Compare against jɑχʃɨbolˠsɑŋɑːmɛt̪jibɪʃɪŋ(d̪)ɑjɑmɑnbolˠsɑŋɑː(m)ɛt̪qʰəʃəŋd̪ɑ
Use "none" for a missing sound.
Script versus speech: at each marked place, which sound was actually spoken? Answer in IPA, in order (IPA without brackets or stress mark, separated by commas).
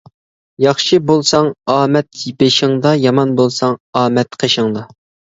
d̪, m